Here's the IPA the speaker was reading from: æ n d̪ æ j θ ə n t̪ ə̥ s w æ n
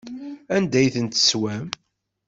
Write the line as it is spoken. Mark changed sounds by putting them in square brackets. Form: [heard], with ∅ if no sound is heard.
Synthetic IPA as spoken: æ n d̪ æ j θ ə n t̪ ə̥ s w æ [m]